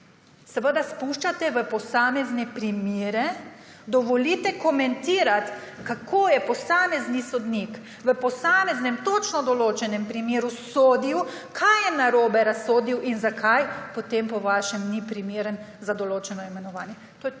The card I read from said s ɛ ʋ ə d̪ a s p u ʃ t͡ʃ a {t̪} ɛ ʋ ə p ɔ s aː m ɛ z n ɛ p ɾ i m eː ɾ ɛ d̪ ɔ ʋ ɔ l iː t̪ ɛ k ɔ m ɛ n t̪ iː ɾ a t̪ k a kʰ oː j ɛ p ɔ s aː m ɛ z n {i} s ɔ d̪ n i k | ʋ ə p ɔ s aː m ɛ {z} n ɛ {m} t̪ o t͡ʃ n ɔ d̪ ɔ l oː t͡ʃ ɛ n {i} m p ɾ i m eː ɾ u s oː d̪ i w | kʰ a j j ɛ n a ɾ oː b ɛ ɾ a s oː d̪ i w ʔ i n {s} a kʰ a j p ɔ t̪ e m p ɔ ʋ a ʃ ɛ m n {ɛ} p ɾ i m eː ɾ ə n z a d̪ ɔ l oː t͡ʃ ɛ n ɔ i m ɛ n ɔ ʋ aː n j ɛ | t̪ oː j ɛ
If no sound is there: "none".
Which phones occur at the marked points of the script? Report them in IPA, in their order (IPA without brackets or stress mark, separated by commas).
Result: t̪, i, z, m, ɛ, z, i